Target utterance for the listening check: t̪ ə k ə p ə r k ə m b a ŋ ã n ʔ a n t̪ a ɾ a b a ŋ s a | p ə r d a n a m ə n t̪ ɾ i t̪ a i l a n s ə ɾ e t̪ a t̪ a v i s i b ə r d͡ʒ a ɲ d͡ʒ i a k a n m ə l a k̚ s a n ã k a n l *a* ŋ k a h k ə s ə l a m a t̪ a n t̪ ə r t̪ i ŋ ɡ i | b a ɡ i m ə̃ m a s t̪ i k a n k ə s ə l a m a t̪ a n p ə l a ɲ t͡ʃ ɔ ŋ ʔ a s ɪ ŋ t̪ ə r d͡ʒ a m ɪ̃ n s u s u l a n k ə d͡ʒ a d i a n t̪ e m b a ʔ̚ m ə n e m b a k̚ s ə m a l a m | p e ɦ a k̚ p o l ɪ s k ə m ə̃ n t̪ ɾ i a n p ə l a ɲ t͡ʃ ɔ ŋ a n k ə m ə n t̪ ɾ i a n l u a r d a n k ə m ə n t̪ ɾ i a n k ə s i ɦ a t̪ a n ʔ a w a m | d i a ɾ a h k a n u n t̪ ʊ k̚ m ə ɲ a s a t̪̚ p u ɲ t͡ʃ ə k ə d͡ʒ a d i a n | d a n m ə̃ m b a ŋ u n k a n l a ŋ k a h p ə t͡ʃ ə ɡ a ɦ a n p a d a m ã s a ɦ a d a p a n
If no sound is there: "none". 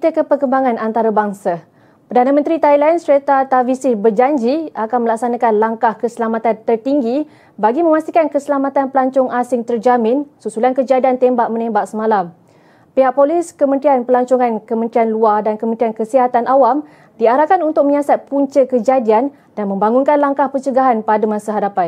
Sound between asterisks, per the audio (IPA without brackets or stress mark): a